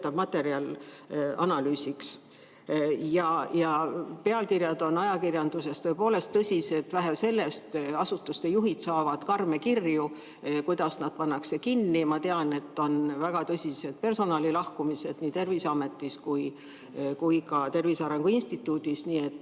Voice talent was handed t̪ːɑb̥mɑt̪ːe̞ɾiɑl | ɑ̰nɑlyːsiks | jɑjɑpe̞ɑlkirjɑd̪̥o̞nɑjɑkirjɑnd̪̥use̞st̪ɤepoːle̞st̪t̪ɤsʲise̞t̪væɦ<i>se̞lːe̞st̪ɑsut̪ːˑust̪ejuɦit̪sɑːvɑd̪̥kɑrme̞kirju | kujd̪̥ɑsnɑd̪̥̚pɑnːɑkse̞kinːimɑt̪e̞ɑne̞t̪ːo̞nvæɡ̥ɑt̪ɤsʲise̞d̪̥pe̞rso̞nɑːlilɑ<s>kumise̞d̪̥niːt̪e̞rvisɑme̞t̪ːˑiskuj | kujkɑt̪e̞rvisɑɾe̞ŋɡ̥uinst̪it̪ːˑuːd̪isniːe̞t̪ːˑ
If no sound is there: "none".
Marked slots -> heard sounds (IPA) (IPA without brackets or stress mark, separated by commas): æ, h